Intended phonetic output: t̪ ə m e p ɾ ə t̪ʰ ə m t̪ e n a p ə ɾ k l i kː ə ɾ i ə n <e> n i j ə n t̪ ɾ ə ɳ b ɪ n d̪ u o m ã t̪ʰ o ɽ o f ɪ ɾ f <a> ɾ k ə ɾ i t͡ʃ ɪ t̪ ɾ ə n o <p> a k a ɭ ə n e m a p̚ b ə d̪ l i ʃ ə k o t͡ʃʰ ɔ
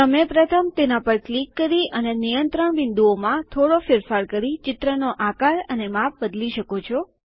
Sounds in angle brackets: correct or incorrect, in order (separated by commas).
correct, correct, incorrect